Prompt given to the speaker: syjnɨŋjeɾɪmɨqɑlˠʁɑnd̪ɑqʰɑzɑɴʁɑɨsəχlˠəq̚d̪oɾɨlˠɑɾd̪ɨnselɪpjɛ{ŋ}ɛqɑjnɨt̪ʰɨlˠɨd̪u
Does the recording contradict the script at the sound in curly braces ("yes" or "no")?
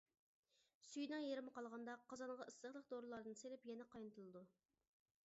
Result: yes